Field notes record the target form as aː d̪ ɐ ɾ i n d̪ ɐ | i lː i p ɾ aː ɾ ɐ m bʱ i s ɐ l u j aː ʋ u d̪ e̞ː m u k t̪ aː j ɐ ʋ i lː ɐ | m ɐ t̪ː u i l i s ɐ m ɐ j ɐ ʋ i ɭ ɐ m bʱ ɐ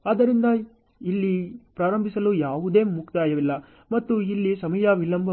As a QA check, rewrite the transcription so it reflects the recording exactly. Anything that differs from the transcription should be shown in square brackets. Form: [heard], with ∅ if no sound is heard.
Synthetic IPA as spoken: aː d̪ ɐ ɾ i n d̪ ɐ | i lː i p ɾ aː ɾ ɐ m bʱ i s ɐ l u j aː ʋ u d̪ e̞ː m u k t̪ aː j ɐ ʋ i lː ɐ | m ɐ t̪ː u i [lː] i s ɐ m ɐ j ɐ ʋ i [l] ɐ m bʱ ɐ